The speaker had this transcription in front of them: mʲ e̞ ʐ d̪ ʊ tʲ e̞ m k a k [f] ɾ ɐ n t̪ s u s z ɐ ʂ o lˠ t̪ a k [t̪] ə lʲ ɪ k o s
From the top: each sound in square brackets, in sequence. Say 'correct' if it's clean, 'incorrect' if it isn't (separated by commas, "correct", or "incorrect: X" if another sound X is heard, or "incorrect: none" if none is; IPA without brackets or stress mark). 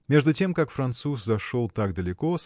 correct, incorrect: d̪